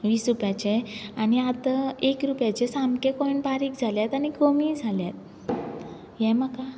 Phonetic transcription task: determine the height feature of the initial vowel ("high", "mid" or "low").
high